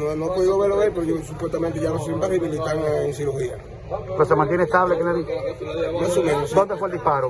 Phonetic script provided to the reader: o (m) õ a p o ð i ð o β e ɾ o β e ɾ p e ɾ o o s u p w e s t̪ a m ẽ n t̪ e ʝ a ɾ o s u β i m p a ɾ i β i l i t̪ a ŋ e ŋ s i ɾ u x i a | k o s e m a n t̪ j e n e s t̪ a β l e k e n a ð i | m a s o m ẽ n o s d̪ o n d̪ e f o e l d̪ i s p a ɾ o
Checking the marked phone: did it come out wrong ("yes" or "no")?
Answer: yes